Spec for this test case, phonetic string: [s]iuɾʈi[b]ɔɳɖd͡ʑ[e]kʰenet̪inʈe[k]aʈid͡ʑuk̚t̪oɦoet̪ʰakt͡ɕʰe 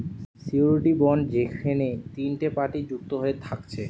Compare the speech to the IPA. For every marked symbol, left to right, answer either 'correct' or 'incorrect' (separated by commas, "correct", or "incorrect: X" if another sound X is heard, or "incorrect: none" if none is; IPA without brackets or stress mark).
correct, correct, correct, incorrect: p